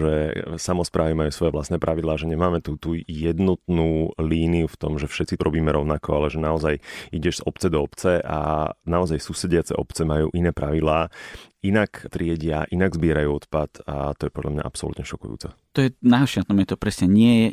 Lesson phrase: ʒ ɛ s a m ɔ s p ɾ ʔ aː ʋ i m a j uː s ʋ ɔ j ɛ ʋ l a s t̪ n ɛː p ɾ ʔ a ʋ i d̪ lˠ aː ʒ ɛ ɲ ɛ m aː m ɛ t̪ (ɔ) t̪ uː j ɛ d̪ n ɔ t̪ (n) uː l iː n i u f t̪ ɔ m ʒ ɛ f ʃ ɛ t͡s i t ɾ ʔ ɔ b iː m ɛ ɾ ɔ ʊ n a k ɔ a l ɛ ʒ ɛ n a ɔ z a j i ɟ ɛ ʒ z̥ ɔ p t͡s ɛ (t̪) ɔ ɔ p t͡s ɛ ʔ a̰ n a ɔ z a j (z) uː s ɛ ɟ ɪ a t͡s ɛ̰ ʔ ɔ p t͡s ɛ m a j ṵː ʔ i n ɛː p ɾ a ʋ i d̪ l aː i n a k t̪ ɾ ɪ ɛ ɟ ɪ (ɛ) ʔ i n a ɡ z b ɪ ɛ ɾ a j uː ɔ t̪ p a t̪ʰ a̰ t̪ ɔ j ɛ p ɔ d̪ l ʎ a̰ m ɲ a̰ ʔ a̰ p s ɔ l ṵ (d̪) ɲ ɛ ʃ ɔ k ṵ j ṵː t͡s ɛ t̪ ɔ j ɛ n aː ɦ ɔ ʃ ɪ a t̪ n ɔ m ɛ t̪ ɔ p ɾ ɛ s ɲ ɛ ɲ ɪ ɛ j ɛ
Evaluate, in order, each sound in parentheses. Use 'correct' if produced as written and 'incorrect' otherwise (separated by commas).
incorrect, correct, incorrect, incorrect, incorrect, incorrect